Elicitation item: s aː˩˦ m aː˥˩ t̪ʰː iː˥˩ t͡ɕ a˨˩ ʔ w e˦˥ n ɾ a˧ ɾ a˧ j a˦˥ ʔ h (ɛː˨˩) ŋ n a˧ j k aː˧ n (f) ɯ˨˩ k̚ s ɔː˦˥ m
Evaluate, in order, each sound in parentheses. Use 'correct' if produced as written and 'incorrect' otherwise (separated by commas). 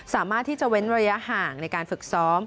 incorrect, correct